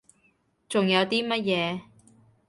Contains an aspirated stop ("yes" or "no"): no